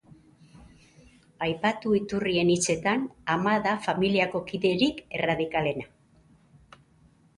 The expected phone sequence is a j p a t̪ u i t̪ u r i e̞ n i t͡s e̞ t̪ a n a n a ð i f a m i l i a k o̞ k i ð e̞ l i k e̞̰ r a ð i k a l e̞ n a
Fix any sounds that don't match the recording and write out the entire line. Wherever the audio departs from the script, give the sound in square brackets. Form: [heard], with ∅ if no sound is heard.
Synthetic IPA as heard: a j p a t̪ u i t̪ u r i e̞ n i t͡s e̞ t̪ a n a [m] a ð [a] f a m i l i a k o̞ k i ð e̞ [ɾ] i k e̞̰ r a ð i k a l e̞ n a